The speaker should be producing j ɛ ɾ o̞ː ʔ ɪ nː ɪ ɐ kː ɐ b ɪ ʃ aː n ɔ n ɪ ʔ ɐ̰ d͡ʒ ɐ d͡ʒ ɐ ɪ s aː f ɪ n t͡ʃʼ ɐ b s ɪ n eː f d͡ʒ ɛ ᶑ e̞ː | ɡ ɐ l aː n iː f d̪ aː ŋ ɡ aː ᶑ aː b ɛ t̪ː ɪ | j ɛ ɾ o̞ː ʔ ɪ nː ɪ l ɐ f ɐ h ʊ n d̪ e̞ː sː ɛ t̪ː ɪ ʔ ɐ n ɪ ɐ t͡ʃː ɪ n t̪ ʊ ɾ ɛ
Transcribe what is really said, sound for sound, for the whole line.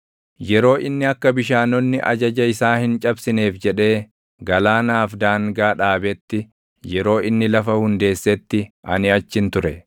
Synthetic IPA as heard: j ɛ ɾ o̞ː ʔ ɪ nː ɪ ɐ kː ɐ b ɪ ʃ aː n ɔ nː ɪ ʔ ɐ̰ d͡ʒ ɐ d͡ʒ ɐ ɪ s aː h ɪ n t͡ʃʼ ɐ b s ɪ n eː f d͡ʒ ɛ ᶑ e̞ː | ɡ ɐ l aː n aː f d̪ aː ŋ ɡ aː ᶑ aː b ɛ t̪ː ɪ | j ɛ ɾ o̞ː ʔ ɪ nː ɪ l ɐ f ɐ h ʊ n d̪ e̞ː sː ɛ t̪ː ɪ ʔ ɐ n ɪ ɐ t͡ʃː ɪ n t̪ ʊ ɾ ɛ